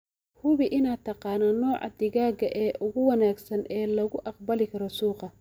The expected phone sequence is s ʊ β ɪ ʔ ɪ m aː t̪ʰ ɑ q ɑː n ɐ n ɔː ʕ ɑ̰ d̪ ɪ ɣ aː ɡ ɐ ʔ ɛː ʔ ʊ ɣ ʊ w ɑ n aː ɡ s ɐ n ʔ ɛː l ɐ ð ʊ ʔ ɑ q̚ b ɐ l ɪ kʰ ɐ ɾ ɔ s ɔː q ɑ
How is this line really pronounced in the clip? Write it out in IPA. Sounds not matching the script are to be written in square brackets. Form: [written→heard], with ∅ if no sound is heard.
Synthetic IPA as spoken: [s→h] ʊ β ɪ ʔ ɪ [m→n] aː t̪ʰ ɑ q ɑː n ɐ n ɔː ʕ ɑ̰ d̪ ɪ ɣ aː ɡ ɐ ʔ ɛː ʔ ʊ ɣ ʊ w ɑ n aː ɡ s ɐ n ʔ ɛː l ɐ [ð→ɣ] ʊ ʔ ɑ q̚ b ɐ l ɪ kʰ ɐ ɾ ɔ s [ɔː→uː] q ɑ